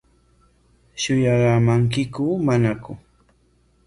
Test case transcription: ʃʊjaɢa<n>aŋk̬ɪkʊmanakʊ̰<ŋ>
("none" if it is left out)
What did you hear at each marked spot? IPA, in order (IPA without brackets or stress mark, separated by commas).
m, none